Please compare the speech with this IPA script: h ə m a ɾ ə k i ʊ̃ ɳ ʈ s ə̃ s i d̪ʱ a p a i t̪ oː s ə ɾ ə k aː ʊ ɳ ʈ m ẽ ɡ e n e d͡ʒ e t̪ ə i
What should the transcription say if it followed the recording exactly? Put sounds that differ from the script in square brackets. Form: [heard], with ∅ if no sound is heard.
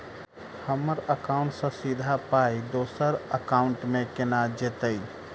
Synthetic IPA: h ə m [ə] ɾ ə k [a] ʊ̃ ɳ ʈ s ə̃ s i d̪ʱ a p a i [d̪] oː s ə ɾ ə k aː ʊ ɳ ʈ m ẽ [k] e n [a] d͡ʒ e t̪ ə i